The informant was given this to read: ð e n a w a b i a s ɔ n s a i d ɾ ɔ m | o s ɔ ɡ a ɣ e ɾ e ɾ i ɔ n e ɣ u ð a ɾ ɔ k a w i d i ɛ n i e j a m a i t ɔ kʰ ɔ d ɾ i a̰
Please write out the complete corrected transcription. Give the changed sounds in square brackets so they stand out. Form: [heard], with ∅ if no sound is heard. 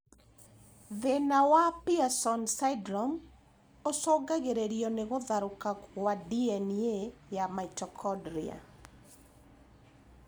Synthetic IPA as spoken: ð e n a w a [p] i a s ɔ n s a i d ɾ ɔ m | o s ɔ ɡ a ɣ e ɾ e ɾ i ɔ n e ɣ [o] ð a ɾ [o] k a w [a] d i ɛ n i e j a m a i t ɔ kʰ ɔ d ɾ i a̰